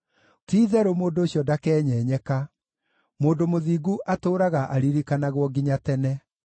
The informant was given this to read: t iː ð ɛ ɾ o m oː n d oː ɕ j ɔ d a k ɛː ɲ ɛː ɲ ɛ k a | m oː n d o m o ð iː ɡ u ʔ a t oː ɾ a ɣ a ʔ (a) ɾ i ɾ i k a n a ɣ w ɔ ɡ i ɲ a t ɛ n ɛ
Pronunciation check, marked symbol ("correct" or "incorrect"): correct